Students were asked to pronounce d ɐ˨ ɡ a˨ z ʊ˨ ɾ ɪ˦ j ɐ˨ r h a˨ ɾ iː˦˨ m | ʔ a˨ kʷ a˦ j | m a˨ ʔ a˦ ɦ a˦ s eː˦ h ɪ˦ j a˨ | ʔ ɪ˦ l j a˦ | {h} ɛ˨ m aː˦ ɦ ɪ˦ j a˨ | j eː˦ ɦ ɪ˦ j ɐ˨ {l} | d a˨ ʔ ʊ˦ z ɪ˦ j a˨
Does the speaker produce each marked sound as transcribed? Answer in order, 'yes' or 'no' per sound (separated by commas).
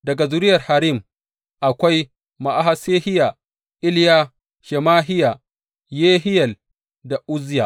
no, yes